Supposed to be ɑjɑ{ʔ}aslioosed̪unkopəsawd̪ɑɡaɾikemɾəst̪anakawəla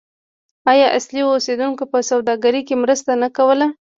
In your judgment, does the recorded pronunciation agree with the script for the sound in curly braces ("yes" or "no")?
yes